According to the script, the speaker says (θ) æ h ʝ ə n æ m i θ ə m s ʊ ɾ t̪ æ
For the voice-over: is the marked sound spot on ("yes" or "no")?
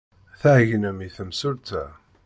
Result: yes